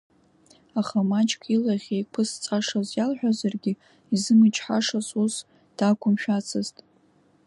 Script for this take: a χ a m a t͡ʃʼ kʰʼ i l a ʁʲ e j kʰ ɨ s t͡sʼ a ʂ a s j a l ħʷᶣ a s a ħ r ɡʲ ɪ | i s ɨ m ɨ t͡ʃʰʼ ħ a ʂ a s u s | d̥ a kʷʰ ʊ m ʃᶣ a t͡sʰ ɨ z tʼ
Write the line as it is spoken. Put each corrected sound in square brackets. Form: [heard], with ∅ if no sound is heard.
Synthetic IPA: a χ a m a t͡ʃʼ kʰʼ i l a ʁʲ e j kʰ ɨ s t͡sʼ a ʂ a [z] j a l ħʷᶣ a [z] a [∅] r ɡʲ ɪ | i [z] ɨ m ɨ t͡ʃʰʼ ħ a ʂ a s u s | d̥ a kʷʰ ʊ m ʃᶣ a t͡sʰ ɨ z tʼ